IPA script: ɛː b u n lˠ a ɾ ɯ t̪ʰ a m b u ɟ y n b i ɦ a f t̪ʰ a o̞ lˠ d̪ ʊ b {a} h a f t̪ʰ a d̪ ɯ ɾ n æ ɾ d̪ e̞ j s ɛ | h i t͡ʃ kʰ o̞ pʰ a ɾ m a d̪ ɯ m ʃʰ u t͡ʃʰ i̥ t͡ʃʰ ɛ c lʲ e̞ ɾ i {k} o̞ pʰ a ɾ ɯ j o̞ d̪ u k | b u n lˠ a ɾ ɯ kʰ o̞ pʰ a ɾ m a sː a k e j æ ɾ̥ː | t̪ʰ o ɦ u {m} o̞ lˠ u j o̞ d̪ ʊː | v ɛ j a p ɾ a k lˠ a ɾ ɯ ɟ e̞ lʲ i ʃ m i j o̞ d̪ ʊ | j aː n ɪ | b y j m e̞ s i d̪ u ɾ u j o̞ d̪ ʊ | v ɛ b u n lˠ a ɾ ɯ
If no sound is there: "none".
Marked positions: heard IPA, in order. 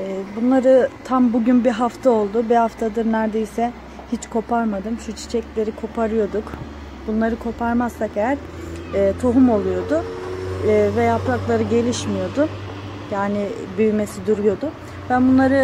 i, kʰ, m

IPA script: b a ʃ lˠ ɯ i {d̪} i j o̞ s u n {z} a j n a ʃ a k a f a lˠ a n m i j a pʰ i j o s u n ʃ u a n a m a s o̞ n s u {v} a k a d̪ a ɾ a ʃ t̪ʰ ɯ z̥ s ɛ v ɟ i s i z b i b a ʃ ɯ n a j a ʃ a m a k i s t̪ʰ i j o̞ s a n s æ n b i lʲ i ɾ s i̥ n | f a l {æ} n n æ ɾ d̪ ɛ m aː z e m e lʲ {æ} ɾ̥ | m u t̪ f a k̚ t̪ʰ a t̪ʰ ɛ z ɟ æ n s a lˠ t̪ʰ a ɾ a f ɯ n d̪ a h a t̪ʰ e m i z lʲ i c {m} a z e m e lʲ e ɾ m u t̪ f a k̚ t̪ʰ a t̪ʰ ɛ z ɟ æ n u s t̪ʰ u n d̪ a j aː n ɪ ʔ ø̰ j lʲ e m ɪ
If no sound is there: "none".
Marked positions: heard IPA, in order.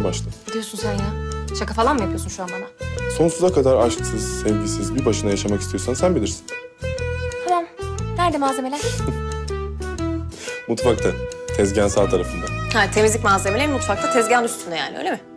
d̪, z, z, a, æ, m

